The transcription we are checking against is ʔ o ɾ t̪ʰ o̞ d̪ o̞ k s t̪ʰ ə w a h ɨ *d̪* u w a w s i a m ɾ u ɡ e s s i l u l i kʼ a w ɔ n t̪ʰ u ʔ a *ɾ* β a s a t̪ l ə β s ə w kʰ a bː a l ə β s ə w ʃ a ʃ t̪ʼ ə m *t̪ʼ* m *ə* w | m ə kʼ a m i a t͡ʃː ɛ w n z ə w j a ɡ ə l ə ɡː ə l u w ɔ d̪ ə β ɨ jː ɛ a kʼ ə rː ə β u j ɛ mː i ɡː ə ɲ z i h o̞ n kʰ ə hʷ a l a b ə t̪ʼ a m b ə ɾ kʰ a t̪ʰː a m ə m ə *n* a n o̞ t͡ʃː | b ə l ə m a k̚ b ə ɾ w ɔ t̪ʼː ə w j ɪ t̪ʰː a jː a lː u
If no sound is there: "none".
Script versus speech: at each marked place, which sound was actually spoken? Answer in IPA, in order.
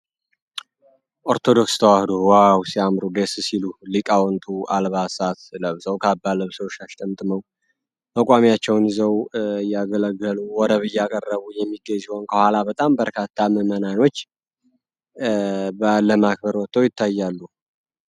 d̪, l, t̪ʼ, ə, n

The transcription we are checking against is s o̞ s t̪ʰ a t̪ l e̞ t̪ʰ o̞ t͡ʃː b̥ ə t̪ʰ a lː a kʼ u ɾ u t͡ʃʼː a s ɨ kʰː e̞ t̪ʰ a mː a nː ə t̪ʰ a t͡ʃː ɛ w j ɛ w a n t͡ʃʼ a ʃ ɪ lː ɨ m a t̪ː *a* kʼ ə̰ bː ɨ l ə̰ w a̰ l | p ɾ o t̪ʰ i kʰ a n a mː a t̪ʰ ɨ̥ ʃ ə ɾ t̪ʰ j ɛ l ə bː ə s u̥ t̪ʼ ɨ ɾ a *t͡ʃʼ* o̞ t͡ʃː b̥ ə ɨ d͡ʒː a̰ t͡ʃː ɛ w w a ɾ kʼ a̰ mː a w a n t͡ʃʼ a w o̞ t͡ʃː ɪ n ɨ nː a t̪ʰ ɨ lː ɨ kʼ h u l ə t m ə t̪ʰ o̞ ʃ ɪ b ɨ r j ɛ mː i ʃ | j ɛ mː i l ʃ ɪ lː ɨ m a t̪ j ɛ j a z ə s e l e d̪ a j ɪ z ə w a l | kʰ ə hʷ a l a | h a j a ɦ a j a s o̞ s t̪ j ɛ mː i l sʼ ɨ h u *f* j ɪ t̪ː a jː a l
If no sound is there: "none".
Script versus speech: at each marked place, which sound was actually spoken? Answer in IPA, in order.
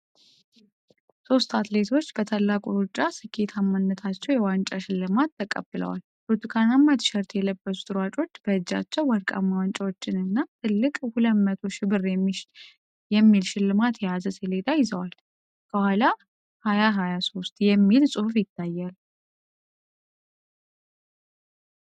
ə, t͡ʃʼ, f

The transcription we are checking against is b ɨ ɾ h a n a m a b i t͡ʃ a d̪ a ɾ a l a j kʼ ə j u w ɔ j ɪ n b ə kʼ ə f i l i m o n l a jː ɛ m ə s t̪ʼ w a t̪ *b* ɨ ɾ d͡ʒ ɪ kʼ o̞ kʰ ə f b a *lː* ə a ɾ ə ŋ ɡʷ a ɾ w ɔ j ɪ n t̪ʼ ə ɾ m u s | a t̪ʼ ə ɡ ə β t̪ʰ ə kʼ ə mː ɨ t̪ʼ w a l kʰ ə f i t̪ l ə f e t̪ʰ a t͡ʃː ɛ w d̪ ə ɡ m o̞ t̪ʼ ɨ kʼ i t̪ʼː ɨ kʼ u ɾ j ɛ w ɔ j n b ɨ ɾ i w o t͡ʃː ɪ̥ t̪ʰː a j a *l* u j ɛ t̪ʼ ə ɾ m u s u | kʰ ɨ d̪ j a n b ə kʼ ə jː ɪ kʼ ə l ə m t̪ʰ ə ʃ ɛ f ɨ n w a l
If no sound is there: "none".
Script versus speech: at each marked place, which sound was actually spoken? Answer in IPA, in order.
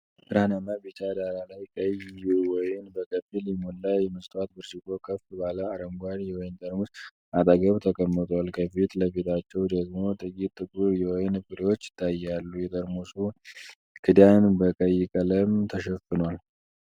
b, l, lː

